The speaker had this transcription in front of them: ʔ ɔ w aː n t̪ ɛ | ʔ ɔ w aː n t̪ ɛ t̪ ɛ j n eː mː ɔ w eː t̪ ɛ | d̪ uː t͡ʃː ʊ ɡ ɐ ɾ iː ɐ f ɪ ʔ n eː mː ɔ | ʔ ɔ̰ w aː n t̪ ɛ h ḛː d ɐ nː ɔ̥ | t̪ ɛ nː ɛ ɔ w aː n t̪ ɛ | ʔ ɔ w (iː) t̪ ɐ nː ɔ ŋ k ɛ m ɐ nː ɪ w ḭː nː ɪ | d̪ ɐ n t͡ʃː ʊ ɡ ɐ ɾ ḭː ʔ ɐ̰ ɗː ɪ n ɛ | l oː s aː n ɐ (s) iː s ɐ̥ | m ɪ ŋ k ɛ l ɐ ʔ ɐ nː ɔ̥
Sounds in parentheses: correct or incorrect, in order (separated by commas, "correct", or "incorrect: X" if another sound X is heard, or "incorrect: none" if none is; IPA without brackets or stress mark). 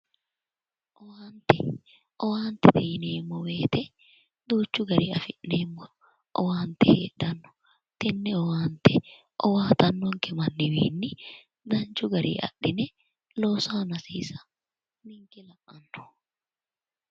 incorrect: aː, correct